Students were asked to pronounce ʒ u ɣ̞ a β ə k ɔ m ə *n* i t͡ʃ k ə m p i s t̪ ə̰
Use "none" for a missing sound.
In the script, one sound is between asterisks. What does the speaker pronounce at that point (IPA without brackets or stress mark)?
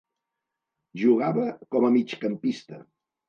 m